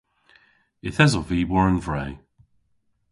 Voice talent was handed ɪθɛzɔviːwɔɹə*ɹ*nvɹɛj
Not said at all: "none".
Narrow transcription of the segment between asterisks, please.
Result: none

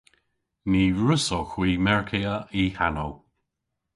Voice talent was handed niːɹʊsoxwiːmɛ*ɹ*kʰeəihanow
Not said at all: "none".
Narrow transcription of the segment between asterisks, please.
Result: ɹ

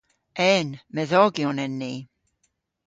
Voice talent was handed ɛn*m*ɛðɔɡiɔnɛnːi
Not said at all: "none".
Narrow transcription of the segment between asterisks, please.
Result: m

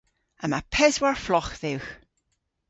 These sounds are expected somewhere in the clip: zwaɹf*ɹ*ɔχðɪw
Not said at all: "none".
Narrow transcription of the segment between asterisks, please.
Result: l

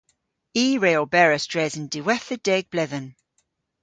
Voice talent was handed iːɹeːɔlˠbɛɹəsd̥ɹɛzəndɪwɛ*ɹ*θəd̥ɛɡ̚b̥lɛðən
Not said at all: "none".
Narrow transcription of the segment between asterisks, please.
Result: none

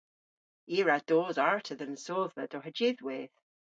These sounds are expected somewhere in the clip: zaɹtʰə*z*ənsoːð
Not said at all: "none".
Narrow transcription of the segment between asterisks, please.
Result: ð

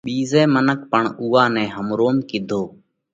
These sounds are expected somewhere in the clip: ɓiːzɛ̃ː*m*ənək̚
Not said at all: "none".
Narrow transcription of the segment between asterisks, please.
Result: m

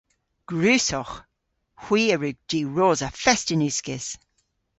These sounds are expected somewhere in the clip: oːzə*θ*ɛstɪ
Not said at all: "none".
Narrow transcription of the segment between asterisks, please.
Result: f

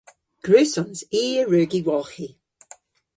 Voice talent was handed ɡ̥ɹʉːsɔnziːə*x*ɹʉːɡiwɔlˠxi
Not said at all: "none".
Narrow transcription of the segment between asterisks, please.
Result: none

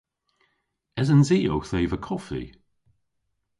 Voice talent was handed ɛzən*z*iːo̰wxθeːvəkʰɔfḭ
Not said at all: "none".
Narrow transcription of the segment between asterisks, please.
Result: z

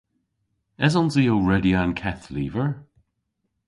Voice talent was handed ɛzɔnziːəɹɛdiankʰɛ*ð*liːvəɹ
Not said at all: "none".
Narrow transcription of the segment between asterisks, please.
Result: θ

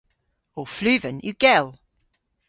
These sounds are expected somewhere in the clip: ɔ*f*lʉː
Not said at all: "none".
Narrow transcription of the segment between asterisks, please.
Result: f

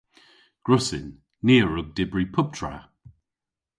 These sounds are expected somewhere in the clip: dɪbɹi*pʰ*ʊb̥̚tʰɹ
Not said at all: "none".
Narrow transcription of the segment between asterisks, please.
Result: pʰ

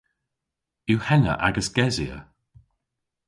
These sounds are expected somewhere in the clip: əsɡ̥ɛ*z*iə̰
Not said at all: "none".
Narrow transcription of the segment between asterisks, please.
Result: z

